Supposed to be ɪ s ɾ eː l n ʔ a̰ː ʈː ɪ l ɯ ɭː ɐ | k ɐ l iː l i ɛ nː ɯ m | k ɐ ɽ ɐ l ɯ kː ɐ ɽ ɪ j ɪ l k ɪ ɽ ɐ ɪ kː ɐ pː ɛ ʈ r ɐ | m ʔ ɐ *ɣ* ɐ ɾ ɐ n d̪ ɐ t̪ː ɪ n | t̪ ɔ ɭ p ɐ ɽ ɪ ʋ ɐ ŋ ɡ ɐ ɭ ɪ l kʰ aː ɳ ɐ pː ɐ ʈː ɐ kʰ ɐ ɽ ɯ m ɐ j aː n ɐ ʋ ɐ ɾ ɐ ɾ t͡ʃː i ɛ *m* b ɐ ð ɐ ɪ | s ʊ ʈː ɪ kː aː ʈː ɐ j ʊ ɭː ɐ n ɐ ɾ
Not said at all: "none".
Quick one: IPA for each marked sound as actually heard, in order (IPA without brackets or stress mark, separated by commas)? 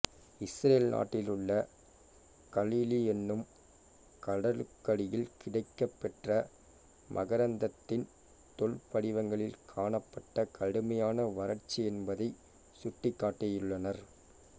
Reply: ɣ, n